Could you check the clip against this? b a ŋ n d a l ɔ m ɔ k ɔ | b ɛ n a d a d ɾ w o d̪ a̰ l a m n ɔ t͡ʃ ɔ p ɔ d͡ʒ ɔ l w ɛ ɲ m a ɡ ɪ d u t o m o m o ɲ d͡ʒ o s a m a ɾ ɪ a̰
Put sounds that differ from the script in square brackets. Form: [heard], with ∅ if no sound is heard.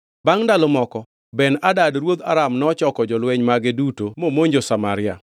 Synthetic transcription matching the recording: b a ŋ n d a l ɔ m ɔ k ɔ | b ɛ n a d a d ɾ w o d̪ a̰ [ɾ] a m n ɔ t͡ʃ ɔ [k] ɔ d͡ʒ ɔ l w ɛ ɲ m a ɡ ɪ d u t o m o m o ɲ d͡ʒ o s a m a ɾ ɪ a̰